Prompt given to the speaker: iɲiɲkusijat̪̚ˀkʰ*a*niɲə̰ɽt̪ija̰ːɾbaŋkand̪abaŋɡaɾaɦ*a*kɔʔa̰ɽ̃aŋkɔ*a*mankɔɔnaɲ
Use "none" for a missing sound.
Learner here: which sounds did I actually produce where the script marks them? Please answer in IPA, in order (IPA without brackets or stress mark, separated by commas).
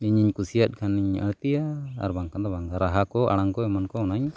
a, a, ɛ